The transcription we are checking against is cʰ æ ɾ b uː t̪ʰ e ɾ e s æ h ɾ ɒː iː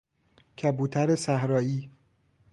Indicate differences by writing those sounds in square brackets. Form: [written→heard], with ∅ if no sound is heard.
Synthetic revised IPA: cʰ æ [ɾ→∅] b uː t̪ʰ [e→æ] ɾ e s æ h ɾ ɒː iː